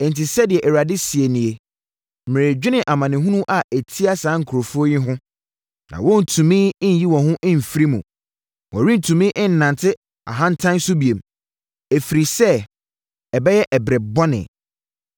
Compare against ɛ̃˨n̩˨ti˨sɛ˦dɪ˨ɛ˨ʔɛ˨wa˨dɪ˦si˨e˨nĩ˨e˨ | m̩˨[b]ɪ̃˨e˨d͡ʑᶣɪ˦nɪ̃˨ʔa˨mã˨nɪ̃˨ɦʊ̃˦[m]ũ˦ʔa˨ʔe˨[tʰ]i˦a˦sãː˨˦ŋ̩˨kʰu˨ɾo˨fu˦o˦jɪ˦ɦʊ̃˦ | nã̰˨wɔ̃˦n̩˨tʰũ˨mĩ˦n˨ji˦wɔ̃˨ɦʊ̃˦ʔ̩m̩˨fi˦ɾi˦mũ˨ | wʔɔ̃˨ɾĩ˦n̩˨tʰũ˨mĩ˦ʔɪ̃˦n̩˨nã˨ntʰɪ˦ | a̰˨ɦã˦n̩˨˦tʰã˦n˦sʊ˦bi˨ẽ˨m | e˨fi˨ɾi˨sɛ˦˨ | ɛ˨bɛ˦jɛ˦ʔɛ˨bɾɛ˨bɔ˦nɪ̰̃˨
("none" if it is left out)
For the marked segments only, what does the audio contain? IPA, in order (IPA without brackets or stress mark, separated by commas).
m, n, tʰ